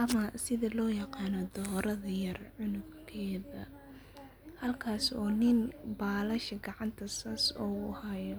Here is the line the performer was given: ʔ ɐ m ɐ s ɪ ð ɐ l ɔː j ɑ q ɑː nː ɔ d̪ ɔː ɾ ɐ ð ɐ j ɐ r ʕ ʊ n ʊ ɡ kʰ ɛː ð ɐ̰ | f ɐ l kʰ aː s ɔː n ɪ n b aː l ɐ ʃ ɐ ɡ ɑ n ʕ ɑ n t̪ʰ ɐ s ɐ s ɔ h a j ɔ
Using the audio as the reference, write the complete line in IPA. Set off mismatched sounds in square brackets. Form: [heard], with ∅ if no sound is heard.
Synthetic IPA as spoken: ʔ ɐ m ɐ s ɪ ð ɐ l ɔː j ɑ q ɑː [n] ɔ d̪ ɔː ɾ ɐ ð ɐ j ɐ r ʕ ʊ n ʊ ɡ kʰ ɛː ð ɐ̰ | [h] ɐ l kʰ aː s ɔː n ɪ n b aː l ɐ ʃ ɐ ɡ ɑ [∅] ʕ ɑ n t̪ʰ ɐ s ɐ s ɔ h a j ɔ